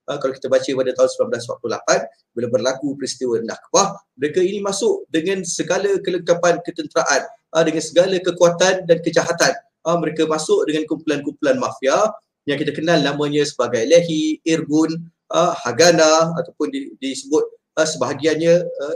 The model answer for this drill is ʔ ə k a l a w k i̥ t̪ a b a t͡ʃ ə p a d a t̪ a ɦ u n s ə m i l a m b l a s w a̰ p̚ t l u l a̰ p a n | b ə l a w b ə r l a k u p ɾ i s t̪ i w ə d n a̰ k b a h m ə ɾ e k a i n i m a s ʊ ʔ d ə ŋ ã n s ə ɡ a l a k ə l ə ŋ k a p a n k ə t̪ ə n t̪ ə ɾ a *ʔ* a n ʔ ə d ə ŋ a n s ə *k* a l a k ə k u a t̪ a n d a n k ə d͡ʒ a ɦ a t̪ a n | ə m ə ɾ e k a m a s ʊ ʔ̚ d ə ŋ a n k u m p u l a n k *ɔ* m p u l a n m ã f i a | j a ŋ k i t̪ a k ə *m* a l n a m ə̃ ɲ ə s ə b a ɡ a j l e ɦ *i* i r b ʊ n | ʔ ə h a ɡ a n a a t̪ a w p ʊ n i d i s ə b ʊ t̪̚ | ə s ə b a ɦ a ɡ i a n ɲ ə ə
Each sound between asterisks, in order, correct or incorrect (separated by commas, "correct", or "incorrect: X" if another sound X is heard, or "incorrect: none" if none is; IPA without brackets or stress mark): correct, incorrect: ɡ, incorrect: u, incorrect: n, correct